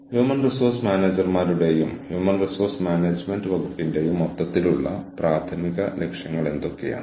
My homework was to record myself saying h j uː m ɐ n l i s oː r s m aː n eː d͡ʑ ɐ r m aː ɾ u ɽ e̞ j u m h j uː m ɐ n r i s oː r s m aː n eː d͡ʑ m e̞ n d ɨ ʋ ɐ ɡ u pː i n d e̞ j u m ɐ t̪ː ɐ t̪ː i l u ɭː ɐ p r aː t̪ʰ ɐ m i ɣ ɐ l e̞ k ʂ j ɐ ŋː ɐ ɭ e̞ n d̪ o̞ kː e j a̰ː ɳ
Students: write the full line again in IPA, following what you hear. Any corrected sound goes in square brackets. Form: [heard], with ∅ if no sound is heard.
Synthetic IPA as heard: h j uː m ɐ n [r] i s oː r s m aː n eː d͡ʑ ɐ r m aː ɾ u ɽ e̞ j u m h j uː m ɐ n r i s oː r s m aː n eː d͡ʑ m e̞ n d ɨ ʋ ɐ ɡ u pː i n d e̞ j u m ɐ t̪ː ɐ t̪ː i l u ɭː ɐ p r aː t̪ʰ ɐ m i ɣ ɐ l e̞ k ʂ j ɐ ŋː ɐ ɭ e̞ n d̪ o̞ kː e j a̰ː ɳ